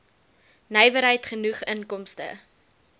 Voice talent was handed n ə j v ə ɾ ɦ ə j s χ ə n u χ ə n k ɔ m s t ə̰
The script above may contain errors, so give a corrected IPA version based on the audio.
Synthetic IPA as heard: n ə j v ə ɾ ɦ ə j t χ ə n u χ ə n k ɔ m s t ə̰